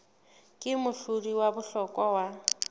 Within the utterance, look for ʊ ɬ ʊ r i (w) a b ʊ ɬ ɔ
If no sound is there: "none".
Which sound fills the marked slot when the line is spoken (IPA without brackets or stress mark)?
w